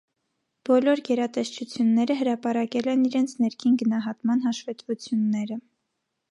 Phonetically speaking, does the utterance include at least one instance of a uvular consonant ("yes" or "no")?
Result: no